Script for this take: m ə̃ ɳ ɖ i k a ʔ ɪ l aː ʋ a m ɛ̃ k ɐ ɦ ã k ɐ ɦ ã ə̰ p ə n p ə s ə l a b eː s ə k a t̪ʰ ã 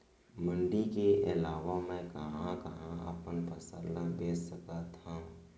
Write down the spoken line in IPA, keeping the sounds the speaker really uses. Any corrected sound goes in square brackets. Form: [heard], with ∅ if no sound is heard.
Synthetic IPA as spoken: m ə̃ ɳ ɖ i k [e] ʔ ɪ l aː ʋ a m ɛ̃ k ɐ ɦ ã k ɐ ɦ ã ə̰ p ə n p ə s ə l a b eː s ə k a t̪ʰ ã